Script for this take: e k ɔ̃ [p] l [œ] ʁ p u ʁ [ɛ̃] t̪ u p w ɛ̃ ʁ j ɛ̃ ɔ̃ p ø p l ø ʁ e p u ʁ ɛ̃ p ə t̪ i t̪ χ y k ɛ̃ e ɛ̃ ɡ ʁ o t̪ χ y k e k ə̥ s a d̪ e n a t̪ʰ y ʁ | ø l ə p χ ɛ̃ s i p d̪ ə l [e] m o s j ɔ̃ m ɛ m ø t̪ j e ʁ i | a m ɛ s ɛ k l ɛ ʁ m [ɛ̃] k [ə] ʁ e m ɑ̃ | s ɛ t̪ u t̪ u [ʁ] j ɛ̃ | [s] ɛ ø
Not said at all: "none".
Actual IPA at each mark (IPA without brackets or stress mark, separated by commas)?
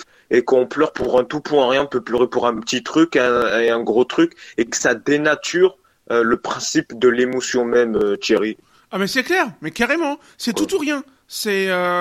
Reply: p, œ, ɛ̃, e, ɛ, a, ʁ, s